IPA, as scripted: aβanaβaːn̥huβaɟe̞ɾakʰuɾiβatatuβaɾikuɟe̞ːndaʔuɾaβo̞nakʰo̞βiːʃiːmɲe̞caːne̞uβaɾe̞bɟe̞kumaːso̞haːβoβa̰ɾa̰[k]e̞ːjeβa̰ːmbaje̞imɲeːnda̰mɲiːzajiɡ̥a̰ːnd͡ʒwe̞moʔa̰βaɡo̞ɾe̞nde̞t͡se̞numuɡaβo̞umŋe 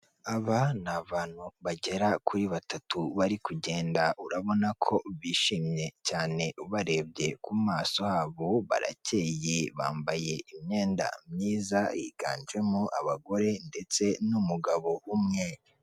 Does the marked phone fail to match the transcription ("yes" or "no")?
yes